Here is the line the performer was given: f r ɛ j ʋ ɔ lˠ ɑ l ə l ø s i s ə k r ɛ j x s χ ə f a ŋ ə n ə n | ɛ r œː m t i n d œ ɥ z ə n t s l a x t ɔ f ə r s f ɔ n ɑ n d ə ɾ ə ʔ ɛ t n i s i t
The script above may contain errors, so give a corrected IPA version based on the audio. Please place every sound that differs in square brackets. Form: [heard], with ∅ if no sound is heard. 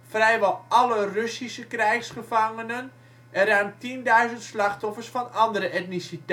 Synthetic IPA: f r ɛ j ʋ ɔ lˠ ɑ l ə [r] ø s i s ə k r ɛ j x s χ ə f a ŋ ə n ə n | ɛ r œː m t i n d œ ɥ z ə n t s l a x t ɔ f ə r s f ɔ n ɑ n d ə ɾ ə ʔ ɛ t n i s i t